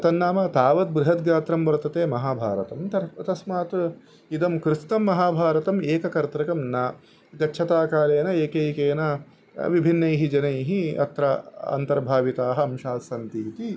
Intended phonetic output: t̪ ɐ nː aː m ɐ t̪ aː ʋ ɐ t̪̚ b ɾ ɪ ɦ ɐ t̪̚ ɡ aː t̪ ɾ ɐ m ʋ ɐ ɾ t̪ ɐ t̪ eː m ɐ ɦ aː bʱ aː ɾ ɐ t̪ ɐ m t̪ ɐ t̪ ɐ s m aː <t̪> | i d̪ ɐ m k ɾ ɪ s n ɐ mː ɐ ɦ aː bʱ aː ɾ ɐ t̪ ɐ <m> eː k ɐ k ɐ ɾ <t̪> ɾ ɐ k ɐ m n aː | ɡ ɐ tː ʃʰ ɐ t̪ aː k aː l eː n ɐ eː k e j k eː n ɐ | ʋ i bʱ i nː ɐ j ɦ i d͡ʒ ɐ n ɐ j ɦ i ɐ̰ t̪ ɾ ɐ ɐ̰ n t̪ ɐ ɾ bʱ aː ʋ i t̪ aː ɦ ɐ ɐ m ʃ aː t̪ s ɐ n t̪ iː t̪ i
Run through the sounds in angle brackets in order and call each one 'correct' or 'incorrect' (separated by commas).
correct, correct, correct